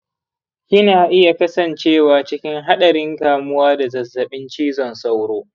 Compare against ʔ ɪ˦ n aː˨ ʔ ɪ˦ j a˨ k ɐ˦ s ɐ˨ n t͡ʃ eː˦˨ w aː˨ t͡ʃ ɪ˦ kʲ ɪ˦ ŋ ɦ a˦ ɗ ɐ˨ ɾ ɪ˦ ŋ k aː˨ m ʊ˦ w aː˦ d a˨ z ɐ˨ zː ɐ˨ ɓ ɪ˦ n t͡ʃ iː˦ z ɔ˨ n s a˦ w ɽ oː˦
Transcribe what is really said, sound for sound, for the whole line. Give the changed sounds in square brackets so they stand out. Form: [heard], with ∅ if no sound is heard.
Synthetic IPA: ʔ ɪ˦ n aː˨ ʔ ɪ˦ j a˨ k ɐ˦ s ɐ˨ n t͡ʃ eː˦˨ w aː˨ t͡ʃ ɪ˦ kʲ ɪ˦ ŋ ɦ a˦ ɗ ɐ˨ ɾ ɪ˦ ŋ k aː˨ m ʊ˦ w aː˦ d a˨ z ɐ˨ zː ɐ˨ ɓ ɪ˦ n t͡ʃ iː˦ z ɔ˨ n s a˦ w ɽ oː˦